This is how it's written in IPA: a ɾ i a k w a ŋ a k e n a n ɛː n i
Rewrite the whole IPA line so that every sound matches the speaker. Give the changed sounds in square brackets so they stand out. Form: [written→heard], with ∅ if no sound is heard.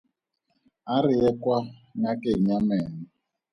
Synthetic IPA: a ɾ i [a→ɛ] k w a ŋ a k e [n→ɲ] a [n→m] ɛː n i